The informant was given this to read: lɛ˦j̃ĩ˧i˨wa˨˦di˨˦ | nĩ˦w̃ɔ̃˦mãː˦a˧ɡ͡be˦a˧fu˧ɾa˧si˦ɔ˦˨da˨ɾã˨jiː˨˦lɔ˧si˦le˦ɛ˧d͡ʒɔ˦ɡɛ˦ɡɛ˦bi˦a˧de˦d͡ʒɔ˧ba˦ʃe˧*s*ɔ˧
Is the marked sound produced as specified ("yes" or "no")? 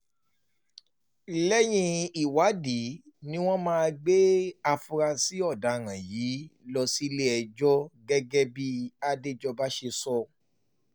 yes